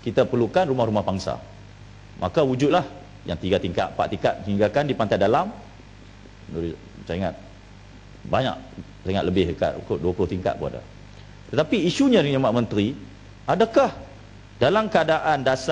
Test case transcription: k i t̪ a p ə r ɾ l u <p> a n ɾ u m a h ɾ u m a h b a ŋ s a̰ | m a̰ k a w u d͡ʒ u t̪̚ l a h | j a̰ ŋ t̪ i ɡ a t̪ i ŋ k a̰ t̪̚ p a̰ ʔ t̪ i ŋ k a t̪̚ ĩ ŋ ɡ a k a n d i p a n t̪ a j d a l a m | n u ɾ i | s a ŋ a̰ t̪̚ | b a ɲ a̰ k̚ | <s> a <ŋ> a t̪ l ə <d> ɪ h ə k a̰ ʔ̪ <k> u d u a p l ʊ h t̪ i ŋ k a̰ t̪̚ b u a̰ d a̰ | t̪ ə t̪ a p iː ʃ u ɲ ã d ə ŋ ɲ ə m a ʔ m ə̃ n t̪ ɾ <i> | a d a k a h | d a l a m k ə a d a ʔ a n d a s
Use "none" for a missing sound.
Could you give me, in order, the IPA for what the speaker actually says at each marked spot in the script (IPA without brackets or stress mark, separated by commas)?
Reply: k, s, ŋ, b, k, i